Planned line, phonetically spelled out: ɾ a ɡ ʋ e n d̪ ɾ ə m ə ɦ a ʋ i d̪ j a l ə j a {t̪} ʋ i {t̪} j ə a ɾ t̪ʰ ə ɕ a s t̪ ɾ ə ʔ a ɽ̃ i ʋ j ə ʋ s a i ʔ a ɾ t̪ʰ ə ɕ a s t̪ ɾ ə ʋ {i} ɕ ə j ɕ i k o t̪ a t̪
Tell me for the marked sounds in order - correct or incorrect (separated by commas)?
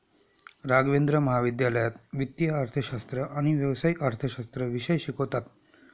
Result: correct, correct, correct